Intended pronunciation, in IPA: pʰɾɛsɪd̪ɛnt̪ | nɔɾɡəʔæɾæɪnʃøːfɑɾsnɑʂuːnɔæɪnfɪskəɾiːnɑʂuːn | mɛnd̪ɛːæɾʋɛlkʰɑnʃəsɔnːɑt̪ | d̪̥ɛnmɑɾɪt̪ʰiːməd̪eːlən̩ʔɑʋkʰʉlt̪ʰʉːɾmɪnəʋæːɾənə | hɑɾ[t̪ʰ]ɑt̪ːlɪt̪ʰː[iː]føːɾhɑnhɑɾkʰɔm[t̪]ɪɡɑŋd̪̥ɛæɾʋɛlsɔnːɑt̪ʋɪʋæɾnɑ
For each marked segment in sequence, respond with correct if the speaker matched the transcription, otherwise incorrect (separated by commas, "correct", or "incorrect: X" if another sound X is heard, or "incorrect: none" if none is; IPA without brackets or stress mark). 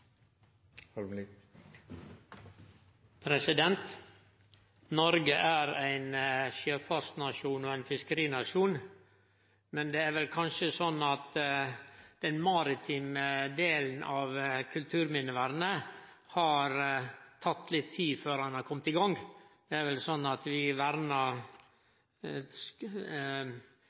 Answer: correct, correct, correct